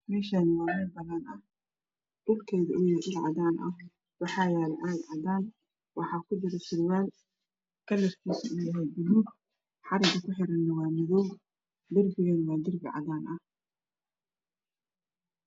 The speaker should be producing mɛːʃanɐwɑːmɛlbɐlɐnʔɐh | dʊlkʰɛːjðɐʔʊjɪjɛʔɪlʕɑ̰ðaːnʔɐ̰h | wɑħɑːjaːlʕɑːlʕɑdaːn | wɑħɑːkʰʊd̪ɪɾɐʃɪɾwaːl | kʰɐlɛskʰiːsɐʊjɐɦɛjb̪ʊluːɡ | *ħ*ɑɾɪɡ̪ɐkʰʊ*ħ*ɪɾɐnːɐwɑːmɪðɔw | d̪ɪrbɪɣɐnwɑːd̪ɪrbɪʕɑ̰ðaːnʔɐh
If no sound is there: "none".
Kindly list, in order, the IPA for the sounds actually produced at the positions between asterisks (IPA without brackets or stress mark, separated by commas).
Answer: ħ, ħ